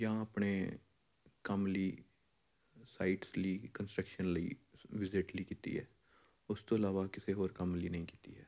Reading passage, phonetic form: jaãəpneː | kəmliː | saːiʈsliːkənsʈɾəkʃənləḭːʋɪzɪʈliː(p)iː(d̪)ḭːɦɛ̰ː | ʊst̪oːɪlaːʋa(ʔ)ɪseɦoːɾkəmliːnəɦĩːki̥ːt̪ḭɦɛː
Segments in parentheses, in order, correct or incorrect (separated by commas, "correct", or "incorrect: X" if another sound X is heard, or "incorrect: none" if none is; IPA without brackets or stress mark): incorrect: k, incorrect: t̪, incorrect: k